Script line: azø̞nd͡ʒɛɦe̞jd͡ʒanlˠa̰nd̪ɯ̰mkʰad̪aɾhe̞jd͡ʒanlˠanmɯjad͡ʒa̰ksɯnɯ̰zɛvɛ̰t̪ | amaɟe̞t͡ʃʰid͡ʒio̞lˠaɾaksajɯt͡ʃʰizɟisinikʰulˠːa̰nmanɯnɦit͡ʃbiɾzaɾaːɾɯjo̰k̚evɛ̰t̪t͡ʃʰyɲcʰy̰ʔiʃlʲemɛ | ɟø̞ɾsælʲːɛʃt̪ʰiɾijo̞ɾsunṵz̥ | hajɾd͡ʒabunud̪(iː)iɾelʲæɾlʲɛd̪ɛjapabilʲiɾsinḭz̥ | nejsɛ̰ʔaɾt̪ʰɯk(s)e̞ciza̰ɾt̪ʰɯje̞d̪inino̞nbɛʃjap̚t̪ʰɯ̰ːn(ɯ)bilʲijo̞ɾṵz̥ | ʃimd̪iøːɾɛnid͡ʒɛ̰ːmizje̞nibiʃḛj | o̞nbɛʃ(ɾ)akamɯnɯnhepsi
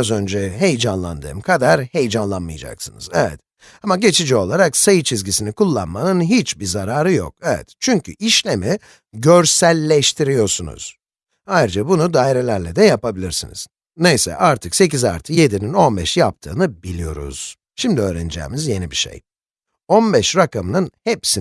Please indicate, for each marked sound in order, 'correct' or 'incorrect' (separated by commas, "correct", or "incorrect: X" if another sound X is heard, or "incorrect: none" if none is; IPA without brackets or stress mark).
incorrect: aː, correct, correct, correct